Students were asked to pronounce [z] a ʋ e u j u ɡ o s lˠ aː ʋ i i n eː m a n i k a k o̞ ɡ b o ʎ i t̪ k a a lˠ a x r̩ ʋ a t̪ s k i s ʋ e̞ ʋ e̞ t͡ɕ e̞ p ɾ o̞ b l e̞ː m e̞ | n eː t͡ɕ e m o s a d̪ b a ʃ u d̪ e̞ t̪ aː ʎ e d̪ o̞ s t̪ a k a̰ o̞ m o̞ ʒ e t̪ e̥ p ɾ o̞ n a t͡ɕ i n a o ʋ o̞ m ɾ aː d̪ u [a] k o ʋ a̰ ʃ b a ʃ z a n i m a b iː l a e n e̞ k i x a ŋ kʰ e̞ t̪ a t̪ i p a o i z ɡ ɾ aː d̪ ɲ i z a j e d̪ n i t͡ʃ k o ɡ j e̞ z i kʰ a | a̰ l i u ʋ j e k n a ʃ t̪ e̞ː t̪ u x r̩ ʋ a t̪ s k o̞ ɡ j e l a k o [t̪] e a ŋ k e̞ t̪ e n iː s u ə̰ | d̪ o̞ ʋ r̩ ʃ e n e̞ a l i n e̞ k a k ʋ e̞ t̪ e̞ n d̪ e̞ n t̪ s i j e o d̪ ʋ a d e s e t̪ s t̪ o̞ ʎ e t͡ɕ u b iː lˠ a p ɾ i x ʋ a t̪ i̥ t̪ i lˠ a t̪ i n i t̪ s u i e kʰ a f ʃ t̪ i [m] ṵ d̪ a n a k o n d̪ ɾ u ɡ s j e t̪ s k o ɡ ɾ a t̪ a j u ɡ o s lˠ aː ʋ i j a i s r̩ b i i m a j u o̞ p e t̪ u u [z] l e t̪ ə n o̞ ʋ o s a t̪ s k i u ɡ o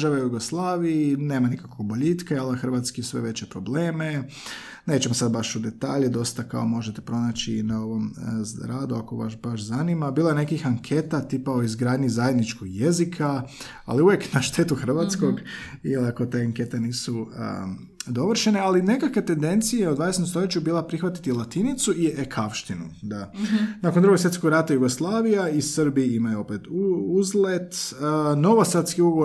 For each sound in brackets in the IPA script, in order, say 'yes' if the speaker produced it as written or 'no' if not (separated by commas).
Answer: no, yes, yes, no, yes